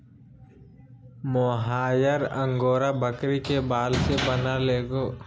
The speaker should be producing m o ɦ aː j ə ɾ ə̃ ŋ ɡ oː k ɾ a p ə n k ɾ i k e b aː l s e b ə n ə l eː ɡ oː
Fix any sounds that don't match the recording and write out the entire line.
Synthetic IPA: m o ɦ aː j ə ɾ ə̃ ŋ ɡ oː ɾ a b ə k ɾ i k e b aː l s e b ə n a l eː ɡ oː

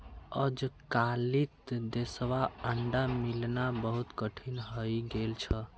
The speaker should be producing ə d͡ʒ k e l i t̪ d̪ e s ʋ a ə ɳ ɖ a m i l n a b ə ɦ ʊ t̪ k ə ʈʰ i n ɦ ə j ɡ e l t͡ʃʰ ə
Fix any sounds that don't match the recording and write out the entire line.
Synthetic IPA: ə d͡ʒ k a l i t̪ d̪ e s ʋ a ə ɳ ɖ a m i l n a b ə ɦ u t̪ k ə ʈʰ i n ɦ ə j ɡ e l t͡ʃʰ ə

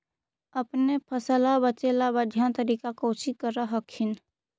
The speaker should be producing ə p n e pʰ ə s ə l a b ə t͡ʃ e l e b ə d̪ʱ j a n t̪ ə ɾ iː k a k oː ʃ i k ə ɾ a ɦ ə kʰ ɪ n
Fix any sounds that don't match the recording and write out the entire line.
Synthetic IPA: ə p n e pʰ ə s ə l a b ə t͡ʃ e l a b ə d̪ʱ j a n t̪ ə ɾ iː k a k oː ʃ i k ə ɾ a ɦ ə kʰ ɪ n

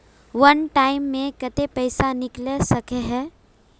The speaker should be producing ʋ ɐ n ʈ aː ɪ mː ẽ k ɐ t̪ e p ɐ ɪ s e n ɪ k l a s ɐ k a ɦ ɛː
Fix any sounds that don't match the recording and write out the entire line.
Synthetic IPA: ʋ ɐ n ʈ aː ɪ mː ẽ k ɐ t̪ e p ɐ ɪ s a n ɪ k l e s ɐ k e ɦ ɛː

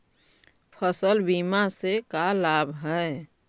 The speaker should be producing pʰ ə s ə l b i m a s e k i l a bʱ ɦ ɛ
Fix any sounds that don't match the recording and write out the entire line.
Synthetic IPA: pʰ ə s ə l b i m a s e k a l a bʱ ɦ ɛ

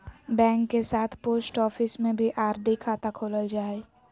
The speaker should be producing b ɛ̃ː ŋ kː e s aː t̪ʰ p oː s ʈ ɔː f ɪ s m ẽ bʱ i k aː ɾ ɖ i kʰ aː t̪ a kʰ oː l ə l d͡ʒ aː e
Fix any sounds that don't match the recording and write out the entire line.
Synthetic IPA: b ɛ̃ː ŋ kː e s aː t̪ʰ p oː s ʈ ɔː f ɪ s m ẽ bʱ i ʔ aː ɾ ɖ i kʰ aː t̪ a kʰ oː l ə l d͡ʒ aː e

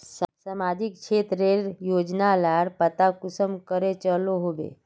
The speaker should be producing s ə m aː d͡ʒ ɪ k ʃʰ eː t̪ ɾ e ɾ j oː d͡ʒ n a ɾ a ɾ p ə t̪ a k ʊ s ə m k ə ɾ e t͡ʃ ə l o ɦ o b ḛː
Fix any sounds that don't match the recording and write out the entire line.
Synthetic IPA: s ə m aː d͡ʒ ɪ k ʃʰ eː t̪ ɾ e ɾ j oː d͡ʒ n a l a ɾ p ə t̪ a k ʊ s ə m k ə ɾ e t͡ʃ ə l o ɦ o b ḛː

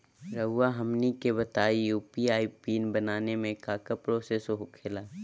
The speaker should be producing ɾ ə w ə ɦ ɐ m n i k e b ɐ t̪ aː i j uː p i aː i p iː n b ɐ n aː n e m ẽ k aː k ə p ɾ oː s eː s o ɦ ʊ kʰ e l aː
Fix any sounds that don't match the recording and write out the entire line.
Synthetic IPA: ɾ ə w a ɦ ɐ m n i k e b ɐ t̪ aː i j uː p i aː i p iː n b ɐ n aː n e m ẽ k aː k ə p ɾ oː s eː s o ɦ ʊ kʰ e l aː

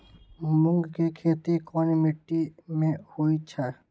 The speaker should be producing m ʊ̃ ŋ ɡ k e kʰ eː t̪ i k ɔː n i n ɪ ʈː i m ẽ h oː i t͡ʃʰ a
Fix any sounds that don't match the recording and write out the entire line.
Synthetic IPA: m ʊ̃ ŋ ɡ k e kʰ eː t̪ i k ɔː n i m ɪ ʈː i m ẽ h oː i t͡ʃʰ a

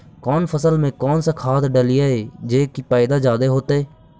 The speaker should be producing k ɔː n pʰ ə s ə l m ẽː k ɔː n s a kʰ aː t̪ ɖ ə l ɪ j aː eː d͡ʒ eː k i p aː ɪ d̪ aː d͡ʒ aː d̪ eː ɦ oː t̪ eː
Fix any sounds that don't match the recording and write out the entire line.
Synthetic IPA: k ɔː n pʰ ə s ə l m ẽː k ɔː n s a kʰ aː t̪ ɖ ə l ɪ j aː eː d͡ʒ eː k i p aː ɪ d̪ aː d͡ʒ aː d̪ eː ɦ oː t̪ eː

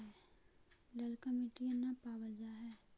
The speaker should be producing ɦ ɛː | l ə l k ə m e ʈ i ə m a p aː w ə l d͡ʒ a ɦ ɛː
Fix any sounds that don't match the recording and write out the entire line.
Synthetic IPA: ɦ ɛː | l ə l k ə m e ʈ i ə n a p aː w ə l d͡ʒ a ɦ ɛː

